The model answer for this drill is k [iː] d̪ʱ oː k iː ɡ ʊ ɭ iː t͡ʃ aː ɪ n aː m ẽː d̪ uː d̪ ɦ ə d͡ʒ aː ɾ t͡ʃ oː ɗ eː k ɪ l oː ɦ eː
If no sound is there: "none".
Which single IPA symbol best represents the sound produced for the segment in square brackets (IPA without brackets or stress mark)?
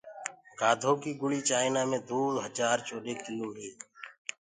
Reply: aː